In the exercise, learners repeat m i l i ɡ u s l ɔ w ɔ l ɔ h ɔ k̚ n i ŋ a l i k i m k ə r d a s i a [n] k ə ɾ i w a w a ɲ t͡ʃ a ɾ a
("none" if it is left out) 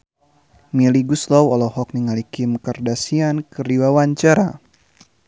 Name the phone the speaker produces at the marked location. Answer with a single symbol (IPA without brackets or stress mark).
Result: n